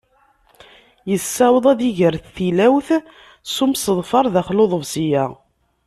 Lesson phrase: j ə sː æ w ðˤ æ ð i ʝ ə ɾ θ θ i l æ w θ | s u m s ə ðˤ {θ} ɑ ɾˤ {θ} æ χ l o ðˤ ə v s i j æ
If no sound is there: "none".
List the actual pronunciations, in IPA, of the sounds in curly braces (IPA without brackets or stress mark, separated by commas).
f, ð